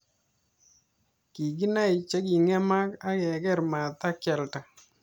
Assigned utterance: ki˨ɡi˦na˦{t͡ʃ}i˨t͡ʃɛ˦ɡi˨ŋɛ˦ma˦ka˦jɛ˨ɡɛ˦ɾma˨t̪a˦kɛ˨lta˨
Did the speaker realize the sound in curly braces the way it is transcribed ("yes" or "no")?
no